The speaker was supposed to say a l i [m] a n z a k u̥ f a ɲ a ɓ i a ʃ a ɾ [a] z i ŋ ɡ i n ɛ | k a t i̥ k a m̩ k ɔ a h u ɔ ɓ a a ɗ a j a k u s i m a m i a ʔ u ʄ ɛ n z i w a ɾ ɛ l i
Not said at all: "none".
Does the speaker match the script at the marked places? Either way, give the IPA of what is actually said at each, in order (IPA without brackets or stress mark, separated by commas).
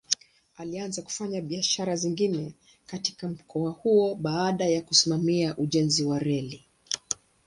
none, a